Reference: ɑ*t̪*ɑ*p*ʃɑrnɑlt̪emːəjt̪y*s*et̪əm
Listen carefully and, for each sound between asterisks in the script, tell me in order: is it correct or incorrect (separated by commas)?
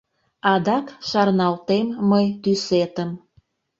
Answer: incorrect, incorrect, correct